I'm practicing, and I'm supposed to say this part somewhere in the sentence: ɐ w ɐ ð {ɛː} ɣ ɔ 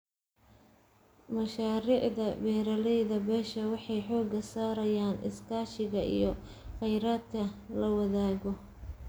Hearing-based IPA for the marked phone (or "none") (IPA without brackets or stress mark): aː